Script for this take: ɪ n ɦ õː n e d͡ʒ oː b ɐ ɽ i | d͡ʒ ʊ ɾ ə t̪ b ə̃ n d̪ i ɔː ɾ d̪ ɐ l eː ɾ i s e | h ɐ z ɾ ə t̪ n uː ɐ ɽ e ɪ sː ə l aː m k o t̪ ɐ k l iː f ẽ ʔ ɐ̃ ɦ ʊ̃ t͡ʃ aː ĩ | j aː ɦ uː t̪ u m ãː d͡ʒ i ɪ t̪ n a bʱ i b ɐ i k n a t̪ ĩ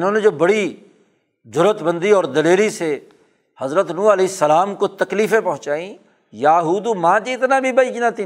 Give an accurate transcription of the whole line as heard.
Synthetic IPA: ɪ n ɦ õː n e d͡ʒ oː b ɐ ɽ i | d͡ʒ ʊ ɾ ə t̪ b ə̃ n d̪ i ɔː ɾ d̪ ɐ l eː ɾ i s e | h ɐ z ɾ ə t̪ n uː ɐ l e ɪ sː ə l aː m k o t̪ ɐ k l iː f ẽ p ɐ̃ ɦ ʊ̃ t͡ʃ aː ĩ | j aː ɦ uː d̪ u m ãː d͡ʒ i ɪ t̪ n a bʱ i b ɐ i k n a t̪ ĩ